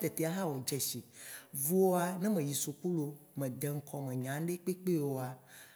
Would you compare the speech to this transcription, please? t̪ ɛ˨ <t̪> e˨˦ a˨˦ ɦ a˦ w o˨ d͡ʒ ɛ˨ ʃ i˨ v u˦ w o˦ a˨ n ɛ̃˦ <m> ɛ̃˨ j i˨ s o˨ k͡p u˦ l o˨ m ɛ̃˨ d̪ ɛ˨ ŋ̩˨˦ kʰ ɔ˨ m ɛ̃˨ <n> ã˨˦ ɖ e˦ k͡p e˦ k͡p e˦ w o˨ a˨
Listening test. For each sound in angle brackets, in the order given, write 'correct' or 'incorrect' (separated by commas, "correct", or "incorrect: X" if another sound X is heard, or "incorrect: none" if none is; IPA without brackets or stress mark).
correct, correct, incorrect: ɲ